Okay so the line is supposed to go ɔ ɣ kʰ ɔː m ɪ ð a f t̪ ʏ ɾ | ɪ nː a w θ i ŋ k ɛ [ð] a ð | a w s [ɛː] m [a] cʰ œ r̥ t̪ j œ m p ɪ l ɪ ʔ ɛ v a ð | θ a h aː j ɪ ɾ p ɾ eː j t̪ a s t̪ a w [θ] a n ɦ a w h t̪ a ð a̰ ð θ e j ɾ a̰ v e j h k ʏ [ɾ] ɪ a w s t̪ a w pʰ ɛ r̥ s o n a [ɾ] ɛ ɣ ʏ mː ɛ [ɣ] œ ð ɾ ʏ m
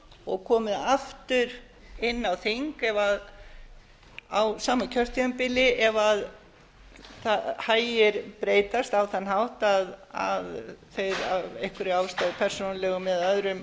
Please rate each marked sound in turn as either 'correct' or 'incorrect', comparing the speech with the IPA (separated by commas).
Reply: incorrect, incorrect, correct, correct, correct, incorrect, incorrect